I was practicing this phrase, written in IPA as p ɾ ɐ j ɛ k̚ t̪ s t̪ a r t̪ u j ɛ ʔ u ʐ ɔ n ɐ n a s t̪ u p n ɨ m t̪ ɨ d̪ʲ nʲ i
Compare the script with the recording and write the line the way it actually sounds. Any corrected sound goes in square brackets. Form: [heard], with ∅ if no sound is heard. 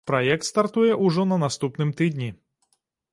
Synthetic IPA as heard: p ɾ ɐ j ɛ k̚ t̪ s t̪ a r t̪ u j ɛ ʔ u ʐ ɔ n ɐ n a s t̪ u p n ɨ m t̪ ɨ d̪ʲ nʲ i